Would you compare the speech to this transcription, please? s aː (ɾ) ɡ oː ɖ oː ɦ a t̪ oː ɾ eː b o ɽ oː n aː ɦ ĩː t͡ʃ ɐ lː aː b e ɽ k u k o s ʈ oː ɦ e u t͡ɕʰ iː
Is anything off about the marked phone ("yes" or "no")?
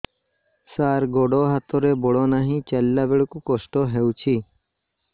no